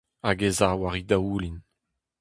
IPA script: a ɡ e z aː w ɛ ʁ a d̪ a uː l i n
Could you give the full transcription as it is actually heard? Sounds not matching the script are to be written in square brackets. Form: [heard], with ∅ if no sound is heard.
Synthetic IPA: a ɡ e z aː w [a] ʁ [i] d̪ a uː l i n